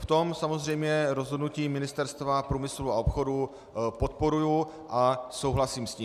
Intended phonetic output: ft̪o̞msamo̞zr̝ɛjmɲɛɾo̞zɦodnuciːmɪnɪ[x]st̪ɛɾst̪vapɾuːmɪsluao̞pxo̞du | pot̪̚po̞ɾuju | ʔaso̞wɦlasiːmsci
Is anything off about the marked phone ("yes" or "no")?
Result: yes